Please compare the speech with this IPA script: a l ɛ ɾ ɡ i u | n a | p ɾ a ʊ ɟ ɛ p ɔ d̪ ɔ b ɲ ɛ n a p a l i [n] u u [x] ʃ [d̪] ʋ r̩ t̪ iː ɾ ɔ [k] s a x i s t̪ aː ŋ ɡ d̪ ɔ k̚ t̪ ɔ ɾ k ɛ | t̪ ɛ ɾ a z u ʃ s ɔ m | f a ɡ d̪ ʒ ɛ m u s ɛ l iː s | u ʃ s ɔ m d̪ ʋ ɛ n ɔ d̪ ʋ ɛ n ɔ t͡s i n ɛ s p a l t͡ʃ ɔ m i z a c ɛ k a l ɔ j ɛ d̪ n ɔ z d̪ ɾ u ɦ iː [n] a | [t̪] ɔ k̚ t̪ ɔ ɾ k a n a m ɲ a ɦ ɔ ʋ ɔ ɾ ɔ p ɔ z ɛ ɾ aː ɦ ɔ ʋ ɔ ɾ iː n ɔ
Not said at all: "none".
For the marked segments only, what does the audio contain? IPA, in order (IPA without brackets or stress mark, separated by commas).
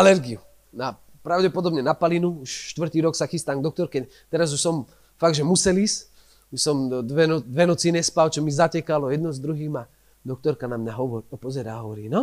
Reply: n, ʃ, t̪, k, m, d̪